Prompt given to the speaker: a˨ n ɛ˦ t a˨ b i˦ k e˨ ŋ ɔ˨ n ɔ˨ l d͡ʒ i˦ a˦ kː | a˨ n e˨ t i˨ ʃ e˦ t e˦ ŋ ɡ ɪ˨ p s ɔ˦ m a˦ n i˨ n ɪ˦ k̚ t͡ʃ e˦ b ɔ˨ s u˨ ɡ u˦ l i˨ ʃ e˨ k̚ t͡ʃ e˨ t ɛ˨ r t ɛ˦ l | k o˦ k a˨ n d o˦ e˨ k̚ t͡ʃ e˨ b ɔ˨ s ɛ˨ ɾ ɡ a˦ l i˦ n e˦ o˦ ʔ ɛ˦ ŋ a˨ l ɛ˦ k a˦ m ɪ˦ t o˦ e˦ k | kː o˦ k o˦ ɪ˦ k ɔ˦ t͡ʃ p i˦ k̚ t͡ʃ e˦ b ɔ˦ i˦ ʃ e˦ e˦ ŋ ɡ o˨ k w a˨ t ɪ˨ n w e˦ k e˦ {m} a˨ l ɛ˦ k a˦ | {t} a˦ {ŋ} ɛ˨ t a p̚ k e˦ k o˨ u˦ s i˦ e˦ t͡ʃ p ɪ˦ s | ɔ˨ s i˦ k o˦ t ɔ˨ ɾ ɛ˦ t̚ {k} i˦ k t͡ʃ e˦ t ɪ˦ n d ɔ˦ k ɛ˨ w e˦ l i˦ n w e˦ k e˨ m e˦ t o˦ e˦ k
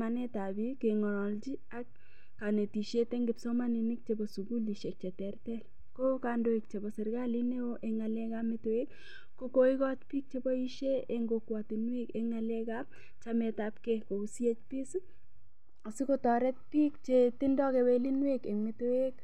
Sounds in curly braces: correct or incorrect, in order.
incorrect: ŋ, incorrect: t͡ʃ, incorrect: m, incorrect: p

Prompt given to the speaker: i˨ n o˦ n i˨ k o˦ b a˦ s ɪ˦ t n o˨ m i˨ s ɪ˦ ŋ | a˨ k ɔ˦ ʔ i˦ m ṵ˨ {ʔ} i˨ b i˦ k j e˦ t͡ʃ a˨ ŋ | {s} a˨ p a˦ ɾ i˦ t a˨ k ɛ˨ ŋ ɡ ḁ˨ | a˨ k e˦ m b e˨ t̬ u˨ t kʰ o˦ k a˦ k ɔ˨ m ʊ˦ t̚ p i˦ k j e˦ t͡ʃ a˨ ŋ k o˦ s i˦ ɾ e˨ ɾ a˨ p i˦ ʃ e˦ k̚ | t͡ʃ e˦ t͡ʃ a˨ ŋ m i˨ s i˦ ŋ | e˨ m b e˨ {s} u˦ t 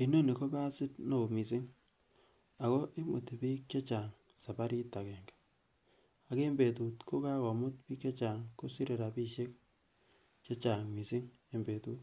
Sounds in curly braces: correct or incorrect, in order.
incorrect: t, correct, incorrect: t

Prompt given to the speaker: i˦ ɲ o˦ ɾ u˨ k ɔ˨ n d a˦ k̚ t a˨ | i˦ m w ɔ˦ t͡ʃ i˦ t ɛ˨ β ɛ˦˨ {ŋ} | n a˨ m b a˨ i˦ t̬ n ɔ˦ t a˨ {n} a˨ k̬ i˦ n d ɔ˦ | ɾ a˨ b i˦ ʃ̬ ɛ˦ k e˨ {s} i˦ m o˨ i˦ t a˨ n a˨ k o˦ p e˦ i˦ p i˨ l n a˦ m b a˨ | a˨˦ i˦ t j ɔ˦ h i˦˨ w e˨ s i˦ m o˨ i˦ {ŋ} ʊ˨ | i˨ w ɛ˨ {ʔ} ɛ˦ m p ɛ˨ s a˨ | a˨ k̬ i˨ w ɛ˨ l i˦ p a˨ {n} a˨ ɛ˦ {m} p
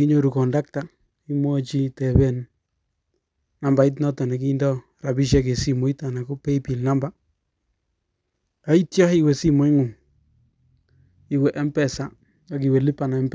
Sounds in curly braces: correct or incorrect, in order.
incorrect: n, correct, correct, correct, correct, correct, correct

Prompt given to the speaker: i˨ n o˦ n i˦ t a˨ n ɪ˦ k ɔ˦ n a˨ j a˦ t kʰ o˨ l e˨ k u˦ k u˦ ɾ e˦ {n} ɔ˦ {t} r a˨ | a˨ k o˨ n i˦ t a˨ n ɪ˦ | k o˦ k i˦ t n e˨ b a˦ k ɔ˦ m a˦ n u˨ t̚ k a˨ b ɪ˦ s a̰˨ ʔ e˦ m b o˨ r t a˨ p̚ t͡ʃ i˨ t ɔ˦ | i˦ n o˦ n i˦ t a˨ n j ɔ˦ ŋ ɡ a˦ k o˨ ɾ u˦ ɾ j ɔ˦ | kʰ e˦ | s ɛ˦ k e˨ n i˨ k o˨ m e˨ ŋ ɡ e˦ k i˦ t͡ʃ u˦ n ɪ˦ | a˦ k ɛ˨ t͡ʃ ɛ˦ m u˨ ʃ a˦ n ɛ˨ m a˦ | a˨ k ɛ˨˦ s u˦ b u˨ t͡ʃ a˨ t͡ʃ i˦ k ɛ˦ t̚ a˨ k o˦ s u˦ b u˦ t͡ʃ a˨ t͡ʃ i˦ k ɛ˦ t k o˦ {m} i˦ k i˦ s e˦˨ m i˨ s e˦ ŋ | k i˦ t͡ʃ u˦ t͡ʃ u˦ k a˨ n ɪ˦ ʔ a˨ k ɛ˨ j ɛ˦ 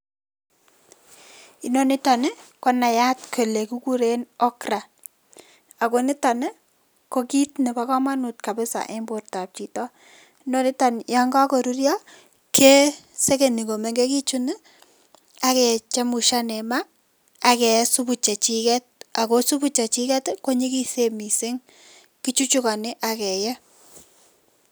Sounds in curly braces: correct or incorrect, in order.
correct, incorrect: k, incorrect: ɲ

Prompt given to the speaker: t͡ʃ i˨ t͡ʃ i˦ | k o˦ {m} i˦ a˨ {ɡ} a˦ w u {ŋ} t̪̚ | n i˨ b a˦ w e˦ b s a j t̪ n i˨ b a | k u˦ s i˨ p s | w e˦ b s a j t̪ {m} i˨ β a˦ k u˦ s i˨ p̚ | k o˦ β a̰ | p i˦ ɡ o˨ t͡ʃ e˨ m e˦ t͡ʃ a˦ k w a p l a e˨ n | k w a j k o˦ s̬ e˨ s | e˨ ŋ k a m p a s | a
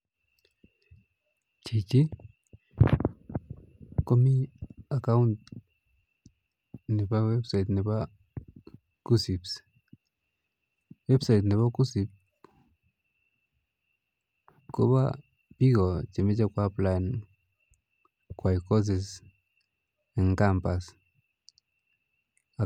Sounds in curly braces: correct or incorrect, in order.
correct, incorrect: k, incorrect: n, incorrect: n

